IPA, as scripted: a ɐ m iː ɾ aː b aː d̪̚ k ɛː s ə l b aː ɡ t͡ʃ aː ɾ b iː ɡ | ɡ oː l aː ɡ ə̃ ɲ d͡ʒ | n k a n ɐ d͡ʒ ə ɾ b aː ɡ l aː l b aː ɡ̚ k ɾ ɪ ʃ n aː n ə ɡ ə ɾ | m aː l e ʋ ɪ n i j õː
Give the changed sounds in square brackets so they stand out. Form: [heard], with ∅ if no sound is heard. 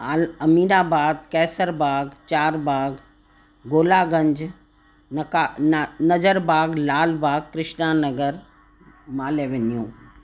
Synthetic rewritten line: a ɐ m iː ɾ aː b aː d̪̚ k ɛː s ə [ɾ] b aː ɡ t͡ʃ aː ɾ b [aː] ɡ | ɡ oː l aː ɡ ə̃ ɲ d͡ʒ | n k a n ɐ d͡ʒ ə ɾ b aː ɡ l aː l b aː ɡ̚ k ɾ ɪ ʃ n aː n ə ɡ ə ɾ | m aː l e ʋ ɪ n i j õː